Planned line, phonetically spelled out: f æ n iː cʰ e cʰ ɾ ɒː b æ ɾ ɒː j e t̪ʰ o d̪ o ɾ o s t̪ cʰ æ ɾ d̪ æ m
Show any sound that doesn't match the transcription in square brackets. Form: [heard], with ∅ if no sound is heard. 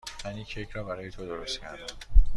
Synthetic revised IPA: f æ n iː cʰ e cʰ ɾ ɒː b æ ɾ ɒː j e t̪ʰ o d̪ o ɾ o s t̪ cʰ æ ɾ d̪ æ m